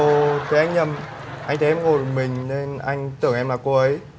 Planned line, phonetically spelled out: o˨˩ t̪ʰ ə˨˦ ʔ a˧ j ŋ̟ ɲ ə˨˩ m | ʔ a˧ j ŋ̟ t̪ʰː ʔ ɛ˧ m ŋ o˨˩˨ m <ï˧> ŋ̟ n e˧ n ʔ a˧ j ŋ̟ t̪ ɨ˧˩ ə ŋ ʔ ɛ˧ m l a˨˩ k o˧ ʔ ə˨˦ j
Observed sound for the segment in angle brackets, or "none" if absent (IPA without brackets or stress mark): ï˨˩